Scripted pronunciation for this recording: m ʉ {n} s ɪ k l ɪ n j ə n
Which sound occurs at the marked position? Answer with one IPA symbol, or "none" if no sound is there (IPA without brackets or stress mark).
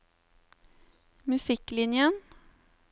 none